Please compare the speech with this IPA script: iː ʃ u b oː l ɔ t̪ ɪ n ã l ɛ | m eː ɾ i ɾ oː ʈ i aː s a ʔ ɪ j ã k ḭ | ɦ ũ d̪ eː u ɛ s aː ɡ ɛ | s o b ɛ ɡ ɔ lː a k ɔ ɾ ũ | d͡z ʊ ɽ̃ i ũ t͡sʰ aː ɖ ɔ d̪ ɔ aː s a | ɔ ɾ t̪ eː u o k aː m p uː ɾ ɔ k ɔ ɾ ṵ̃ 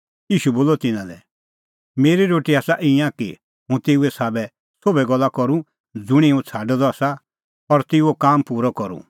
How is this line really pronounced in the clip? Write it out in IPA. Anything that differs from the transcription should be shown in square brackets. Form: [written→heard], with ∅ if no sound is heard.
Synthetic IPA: iː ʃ u b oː l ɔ t̪ ɪ n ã l ɛ | m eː ɾ i ɾ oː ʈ i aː s a ʔ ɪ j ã k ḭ | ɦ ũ [d̪→t̪] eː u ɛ s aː [ɡ→b] ɛ | s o b ɛ ɡ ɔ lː a k ɔ ɾ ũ | d͡z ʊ ɽ̃ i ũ t͡sʰ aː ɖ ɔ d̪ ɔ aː s a | ɔ ɾ t̪ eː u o k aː m p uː ɾ ɔ k ɔ ɾ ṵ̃